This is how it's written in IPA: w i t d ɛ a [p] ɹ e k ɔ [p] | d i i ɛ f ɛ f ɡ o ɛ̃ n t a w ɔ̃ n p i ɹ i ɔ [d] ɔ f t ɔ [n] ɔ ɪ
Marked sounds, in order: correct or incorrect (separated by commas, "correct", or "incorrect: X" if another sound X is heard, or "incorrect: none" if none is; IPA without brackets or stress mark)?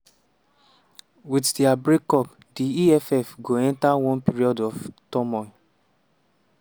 incorrect: b, correct, correct, incorrect: m